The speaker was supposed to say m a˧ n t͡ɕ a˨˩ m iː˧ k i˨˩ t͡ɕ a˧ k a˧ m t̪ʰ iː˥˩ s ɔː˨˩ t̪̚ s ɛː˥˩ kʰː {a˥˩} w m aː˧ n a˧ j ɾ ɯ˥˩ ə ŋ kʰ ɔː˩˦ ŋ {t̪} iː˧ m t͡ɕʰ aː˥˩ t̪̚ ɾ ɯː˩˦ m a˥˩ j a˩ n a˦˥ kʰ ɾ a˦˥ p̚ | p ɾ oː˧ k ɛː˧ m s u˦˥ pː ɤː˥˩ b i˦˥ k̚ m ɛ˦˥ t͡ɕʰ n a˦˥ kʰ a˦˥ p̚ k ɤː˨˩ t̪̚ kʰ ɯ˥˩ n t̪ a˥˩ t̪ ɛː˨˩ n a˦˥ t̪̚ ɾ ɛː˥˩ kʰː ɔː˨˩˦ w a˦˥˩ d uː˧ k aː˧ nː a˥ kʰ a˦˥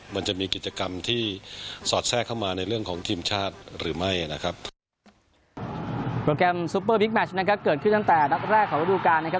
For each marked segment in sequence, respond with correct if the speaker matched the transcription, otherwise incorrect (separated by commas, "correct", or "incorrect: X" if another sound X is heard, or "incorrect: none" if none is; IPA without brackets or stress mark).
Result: correct, incorrect: t̪ʰ